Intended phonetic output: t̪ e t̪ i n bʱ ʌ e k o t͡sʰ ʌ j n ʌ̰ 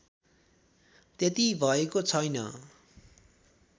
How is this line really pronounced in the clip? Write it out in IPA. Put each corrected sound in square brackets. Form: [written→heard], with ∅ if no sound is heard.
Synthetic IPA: t̪ e t̪ i [n→∅] bʱ ʌ e k o t͡sʰ ʌ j n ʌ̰